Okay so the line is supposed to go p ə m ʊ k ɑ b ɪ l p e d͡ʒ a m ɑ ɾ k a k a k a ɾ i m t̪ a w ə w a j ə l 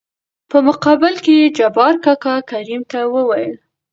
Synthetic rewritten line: p ə m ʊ q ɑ b ɪ l k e d͡ʒ a b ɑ ɾ k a k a k a ɾ i m t̪ a w ə w a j ə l